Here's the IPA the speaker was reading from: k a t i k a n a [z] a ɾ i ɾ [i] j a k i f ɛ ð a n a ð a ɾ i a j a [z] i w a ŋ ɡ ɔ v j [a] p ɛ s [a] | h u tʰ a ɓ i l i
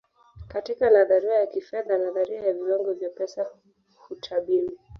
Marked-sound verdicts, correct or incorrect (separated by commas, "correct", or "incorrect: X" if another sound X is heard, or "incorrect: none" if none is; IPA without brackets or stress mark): incorrect: ð, incorrect: a, incorrect: v, correct, correct